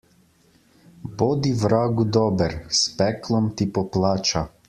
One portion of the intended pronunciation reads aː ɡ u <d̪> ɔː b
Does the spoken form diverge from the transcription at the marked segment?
no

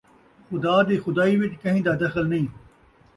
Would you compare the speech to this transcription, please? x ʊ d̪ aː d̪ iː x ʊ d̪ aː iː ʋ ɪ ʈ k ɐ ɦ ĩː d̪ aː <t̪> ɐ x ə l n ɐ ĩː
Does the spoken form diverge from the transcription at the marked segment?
yes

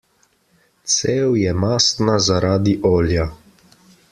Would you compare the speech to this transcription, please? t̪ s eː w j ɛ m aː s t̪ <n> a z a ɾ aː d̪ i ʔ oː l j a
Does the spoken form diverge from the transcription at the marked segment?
no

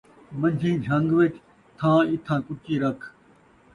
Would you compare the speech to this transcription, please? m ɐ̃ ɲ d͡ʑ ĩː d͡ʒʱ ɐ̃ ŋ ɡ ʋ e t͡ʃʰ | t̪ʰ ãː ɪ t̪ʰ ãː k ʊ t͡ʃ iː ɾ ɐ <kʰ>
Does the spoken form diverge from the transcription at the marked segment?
no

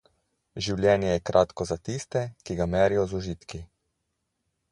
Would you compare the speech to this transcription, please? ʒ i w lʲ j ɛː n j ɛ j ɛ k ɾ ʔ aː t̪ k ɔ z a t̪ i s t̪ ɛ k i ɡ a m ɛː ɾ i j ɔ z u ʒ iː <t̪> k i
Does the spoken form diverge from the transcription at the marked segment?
no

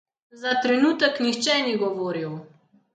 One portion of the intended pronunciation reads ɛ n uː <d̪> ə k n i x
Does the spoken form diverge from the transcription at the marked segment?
yes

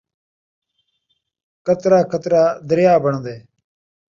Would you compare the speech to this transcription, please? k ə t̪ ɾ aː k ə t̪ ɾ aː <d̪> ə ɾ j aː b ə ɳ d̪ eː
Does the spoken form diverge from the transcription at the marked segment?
no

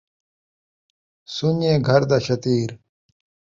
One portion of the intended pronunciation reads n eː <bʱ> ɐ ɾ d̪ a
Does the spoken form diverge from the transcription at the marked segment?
yes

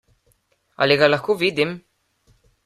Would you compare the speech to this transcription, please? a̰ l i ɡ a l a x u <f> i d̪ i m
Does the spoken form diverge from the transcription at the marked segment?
yes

